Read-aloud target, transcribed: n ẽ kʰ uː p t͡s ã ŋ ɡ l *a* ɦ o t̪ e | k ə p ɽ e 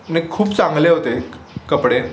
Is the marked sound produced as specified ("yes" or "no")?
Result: no